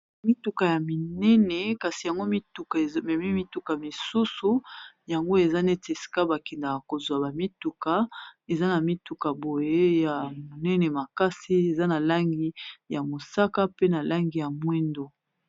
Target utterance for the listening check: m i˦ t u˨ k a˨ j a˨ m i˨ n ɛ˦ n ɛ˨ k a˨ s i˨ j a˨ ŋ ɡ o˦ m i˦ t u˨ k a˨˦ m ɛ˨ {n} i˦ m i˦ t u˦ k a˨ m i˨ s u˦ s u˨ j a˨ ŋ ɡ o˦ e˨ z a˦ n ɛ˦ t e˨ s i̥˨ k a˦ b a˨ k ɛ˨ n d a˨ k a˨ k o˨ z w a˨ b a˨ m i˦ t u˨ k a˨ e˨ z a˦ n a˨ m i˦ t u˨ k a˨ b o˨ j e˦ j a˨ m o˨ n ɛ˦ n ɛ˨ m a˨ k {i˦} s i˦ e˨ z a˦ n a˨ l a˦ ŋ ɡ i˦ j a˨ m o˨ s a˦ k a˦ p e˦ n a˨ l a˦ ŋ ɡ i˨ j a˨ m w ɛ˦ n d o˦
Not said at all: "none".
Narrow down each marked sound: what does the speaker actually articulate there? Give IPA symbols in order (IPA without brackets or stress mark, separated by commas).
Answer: m, a˦